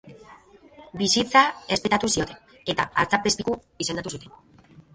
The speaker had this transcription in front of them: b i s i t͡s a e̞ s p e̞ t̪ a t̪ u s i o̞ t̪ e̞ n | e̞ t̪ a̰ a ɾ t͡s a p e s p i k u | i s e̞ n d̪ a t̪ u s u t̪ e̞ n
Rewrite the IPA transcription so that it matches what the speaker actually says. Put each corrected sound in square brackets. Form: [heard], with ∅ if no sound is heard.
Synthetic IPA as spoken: b i s i t͡s a e̞ s p e̞ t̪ a t̪ u s i o̞ t̪ e̞ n | e̞ t̪ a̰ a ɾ t͡s a p e s p i k u | i s e̞ n d̪ a t̪ u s u t̪ e̞ n